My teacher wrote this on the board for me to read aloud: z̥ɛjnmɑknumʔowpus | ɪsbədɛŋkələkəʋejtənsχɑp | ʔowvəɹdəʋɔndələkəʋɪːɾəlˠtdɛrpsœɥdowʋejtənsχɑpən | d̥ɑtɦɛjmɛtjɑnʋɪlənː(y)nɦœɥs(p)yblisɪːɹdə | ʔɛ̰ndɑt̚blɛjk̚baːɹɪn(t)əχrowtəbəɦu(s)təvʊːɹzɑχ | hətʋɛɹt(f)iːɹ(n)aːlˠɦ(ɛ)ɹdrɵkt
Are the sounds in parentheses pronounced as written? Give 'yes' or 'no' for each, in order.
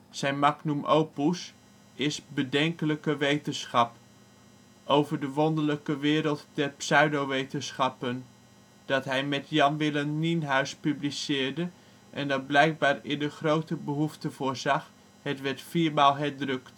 no, yes, no, no, yes, no, yes

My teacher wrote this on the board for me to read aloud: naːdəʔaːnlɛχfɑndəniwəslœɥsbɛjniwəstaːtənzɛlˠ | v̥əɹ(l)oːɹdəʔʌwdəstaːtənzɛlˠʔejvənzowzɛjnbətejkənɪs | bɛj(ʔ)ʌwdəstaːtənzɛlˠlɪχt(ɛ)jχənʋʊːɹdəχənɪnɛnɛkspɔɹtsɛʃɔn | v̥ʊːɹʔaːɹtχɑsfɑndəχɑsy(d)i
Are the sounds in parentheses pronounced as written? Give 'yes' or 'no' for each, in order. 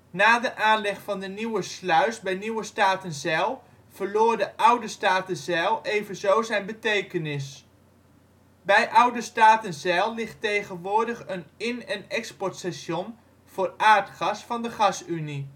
yes, yes, no, no

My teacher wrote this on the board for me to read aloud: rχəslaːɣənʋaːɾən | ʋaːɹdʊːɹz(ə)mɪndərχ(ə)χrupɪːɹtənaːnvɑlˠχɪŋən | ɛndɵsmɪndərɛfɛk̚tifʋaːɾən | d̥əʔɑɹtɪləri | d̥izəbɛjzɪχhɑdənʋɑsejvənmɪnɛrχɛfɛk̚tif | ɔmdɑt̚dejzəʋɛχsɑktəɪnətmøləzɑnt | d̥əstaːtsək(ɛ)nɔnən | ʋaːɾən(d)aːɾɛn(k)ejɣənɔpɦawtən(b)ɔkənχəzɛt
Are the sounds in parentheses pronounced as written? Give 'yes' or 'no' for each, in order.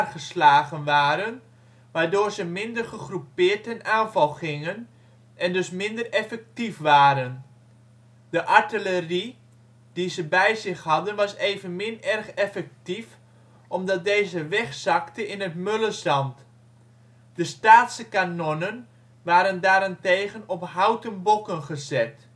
yes, yes, no, yes, no, yes

